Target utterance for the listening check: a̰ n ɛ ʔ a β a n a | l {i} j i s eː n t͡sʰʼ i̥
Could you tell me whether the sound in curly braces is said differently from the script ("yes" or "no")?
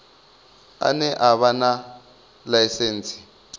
yes